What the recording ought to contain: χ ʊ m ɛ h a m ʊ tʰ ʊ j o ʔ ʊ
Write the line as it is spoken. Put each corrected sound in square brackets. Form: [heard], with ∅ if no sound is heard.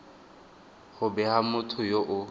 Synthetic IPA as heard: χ ʊ [b] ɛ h a m ʊ tʰ ʊ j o ʔ ʊ